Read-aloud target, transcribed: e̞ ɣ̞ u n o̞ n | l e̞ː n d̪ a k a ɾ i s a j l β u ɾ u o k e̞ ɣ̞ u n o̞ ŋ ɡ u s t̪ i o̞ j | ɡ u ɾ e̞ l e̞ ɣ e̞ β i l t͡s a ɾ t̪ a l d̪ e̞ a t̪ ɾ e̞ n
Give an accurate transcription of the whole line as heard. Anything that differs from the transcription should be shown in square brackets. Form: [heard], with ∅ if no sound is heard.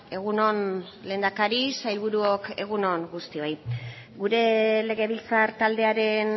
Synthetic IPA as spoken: e̞ ɣ̞ u n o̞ n | l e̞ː n d̪ a k a ɾ i s a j l β u ɾ u o k e̞ ɣ̞ u n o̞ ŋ ɡ u s t̪ i o̞ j | ɡ u ɾ e̞ l e̞ ɣ e̞ β i l t͡s a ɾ t̪ a l d̪ e̞ a [∅] ɾ e̞ n